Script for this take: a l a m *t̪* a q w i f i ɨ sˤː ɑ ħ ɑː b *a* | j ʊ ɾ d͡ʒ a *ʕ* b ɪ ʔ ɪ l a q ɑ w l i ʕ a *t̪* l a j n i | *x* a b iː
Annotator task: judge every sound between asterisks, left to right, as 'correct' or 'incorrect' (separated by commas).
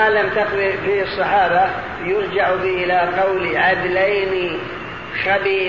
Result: correct, correct, correct, incorrect, correct